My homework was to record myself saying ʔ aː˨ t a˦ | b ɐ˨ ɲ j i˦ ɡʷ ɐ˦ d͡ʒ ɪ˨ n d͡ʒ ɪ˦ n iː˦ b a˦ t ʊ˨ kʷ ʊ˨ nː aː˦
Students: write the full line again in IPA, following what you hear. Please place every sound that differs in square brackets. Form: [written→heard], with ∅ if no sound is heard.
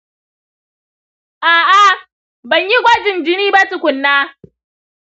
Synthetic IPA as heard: ʔ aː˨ [t→ʔ] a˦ | b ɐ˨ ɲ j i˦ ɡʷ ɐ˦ d͡ʒ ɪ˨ n d͡ʒ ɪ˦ n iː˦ b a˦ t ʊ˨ kʷ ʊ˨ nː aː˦